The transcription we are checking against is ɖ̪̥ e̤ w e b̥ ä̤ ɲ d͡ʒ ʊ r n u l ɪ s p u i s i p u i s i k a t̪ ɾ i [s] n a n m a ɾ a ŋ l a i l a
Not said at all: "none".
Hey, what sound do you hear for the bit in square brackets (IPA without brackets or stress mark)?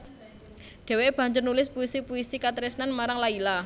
s